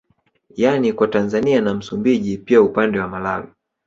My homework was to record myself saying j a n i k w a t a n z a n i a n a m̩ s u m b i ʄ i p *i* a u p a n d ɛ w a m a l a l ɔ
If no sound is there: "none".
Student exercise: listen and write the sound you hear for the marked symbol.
i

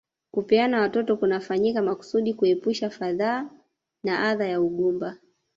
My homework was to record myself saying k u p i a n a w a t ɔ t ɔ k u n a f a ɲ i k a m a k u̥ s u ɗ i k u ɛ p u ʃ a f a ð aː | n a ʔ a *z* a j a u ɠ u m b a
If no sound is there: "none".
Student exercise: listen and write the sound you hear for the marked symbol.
ð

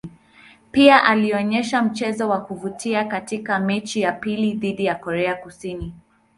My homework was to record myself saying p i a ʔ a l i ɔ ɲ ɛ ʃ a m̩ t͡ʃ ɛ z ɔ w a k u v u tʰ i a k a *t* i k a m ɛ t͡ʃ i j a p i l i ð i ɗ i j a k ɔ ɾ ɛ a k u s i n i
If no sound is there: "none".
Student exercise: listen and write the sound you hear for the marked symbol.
t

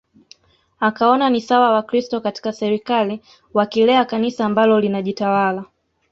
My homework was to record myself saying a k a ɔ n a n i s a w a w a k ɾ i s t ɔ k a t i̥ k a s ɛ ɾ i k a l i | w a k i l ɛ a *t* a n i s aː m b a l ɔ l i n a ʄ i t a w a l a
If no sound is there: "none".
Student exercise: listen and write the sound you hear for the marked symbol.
k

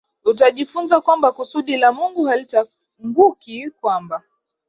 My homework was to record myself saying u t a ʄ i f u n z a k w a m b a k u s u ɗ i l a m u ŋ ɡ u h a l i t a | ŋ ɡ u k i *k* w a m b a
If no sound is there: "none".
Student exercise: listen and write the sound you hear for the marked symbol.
k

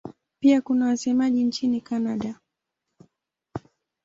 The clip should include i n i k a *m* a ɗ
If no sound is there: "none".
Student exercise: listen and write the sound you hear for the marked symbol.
n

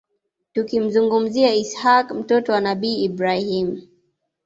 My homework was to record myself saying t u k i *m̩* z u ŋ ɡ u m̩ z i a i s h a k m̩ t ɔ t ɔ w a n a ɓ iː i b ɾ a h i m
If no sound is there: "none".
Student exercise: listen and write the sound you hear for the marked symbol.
m̩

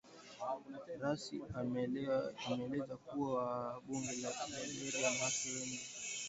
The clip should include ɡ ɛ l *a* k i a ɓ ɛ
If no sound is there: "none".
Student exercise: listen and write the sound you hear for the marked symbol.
a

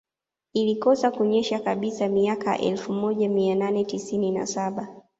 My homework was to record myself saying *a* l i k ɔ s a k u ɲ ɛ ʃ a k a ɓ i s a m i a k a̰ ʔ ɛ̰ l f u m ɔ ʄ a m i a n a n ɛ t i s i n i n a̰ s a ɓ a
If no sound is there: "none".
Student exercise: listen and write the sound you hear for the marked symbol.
i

